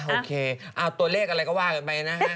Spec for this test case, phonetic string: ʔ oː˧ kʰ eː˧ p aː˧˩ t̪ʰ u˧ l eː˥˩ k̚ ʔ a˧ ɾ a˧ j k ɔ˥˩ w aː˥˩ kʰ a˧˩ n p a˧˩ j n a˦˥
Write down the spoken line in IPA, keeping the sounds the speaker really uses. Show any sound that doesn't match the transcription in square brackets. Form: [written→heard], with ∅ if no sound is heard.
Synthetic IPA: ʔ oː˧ kʰ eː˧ [p→ʔ] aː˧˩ [t̪ʰ→t̪] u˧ l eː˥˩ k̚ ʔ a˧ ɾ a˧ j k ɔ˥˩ w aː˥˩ [kʰ→k] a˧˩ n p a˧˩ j n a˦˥